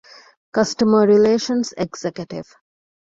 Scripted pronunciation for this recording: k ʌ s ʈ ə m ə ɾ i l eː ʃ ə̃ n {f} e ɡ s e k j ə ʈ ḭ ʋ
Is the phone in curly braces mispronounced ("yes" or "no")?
yes